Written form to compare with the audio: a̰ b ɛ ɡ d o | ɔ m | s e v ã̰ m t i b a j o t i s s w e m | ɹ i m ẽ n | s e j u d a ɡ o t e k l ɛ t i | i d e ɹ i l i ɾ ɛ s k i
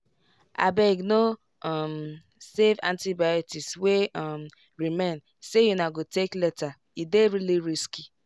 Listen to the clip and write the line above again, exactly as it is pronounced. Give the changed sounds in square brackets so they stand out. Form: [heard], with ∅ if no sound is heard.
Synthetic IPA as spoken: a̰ b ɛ ɡ [n] o | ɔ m | s e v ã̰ [n] t i b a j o t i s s w e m | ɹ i m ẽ n | s e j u [n] a ɡ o t e k l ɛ t [a] | i d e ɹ i l i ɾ [i] s k i